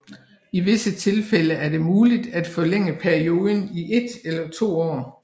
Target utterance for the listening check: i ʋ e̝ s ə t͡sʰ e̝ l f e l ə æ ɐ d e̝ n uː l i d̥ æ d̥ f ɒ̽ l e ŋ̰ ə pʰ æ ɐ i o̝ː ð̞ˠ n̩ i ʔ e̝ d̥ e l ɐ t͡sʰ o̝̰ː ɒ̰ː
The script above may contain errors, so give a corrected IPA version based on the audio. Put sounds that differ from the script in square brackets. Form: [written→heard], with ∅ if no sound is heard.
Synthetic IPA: i ʋ e̝ s ə t͡sʰ e̝ l f e l ə æ ɐ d e̝ [n→m] uː l i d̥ æ d̥ f ɒ̽ l e ŋ̰ ə pʰ æ ɐ i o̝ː ð̞ˠ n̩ i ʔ e̝ d̥ e l ɐ t͡sʰ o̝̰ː ɒ̰ː

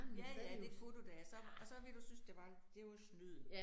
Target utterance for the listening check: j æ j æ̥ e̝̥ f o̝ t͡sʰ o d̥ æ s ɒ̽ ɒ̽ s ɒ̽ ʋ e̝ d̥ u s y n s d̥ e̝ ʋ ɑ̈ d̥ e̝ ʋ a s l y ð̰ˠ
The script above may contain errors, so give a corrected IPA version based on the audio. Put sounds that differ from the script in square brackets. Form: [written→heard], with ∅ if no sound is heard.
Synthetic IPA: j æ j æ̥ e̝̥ f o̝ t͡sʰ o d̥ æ s ɒ̽ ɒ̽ s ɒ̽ ʋ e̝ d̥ u s y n s d̥ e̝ ʋ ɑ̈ d̥ e̝ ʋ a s l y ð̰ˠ

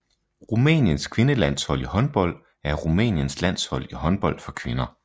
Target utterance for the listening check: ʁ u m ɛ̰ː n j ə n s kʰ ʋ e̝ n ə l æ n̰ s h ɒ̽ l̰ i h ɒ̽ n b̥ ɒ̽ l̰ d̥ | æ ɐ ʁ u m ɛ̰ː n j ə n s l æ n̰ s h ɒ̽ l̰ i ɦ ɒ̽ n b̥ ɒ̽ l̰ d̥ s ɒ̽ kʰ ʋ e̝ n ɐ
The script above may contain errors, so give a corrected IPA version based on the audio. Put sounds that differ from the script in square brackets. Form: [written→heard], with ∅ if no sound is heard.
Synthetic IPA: ʁ u m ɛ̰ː n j ə n s kʰ ʋ e̝ n ə l æ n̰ s h ɒ̽ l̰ i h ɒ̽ n b̥ ɒ̽ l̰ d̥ | æ ɐ ʁ u m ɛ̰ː n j ə n s l æ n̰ s h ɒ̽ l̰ i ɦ ɒ̽ n b̥ ɒ̽ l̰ d̥ [s→f] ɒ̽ kʰ ʋ e̝ n ɐ

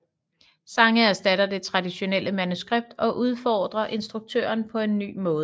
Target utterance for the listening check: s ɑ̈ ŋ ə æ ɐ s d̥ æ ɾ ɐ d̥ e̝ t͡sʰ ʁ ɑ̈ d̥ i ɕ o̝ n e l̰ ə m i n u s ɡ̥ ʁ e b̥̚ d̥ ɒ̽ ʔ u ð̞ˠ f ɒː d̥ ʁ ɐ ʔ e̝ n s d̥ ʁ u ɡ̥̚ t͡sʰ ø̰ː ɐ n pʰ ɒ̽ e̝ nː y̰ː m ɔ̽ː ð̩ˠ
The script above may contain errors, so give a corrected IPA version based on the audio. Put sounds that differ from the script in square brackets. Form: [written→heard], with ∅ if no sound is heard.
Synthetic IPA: s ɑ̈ ŋ ə æ ɐ s d̥ æ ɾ ɐ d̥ e̝ t͡sʰ ʁ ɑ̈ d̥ i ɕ o̝ n e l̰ ə m [i→æ] n u s ɡ̥ ʁ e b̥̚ d̥ ɒ̽ ʔ u ð̞ˠ f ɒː d̥ ʁ ɐ ʔ e̝ n s d̥ ʁ u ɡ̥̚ t͡sʰ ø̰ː ɐ n pʰ ɒ̽ e̝ nː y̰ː m ɔ̽ː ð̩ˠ

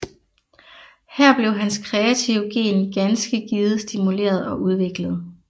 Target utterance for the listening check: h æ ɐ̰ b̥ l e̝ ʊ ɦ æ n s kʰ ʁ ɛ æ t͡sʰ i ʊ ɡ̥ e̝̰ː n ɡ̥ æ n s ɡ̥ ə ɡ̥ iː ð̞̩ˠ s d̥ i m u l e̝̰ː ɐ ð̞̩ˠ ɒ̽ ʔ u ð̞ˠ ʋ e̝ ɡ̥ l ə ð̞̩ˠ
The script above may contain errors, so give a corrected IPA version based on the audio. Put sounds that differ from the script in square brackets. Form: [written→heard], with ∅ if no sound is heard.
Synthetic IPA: h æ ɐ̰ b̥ l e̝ ʊ ɦ æ n s kʰ ʁ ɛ æ t͡sʰ i ʊ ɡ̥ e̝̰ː n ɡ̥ æ n s ɡ̥ ə ɡ̥ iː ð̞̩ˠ s d̥ i m u l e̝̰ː ɐ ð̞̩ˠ ɒ̽ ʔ u ð̞ˠ ʋ e̝ ɡ̥ l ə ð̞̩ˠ

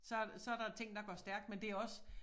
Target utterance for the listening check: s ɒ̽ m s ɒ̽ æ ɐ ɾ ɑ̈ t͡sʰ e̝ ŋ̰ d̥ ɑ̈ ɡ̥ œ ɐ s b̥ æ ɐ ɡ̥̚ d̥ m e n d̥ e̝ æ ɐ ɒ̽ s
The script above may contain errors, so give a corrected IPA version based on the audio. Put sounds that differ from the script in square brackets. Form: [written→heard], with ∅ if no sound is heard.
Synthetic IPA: s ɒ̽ [m→∅] s ɒ̽ æ ɐ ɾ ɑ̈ t͡sʰ e̝ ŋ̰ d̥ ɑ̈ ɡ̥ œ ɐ s [b̥→d̥] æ ɐ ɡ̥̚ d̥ m e n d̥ e̝ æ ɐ ɒ̽ s

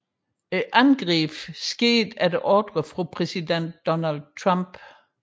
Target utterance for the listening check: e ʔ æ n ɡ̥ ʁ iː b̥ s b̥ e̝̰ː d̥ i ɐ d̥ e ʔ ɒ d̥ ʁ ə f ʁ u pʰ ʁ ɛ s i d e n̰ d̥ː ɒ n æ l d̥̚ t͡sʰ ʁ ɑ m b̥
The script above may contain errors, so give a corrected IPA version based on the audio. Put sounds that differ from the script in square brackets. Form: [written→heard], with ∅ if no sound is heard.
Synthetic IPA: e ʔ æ n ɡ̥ ʁ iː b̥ s [b̥→ɡ̥] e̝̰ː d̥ [i→æ] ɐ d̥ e ʔ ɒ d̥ ʁ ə f ʁ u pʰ ʁ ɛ s i d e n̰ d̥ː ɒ n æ l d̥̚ t͡sʰ ʁ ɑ m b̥

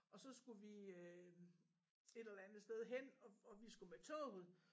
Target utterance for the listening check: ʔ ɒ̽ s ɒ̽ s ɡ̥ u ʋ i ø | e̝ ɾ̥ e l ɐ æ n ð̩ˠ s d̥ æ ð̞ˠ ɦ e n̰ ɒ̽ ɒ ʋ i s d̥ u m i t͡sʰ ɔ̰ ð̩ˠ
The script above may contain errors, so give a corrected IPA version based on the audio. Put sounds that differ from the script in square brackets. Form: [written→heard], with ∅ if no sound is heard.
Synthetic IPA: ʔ ɒ̽ s ɒ̽ s ɡ̥ u ʋ i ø | e̝ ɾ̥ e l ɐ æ n ð̩ˠ s d̥ [æ→e] ð̞ˠ ɦ e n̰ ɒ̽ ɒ ʋ i s [d̥→ɡ̥] u m [i→e] t͡sʰ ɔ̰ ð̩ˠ

